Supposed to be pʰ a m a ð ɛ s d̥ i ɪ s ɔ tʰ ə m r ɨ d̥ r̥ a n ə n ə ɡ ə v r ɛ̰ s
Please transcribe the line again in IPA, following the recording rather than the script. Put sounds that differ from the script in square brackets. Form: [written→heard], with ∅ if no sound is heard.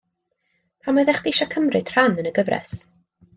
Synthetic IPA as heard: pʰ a m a ð ɛ [s→χ] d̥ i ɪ [s→ʃ] ɔ [tʰ→kʰ] ə m r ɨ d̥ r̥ a n ə n ə ɡ ə v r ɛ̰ s